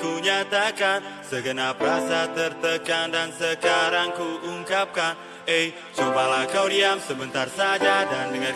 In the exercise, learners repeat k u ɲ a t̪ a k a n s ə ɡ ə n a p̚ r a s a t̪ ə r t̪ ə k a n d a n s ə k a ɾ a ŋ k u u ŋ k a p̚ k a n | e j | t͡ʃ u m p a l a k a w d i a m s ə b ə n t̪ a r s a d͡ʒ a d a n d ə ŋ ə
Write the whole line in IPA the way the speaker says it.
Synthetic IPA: k u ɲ a t̪ a k a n s ə ɡ ə n a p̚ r a s a t̪ ə r t̪ ə k a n d a n s ə k a ɾ a ŋ k u u ŋ k a p̚ k a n | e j | t͡ʃ u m p a l a k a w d i a m s ə b ə n t̪ a r s a d͡ʒ a d a n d ə ŋ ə